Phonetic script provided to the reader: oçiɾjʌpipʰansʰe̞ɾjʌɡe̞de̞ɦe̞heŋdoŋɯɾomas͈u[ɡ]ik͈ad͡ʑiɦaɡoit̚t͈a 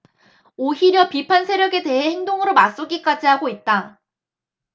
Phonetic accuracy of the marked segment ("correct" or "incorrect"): correct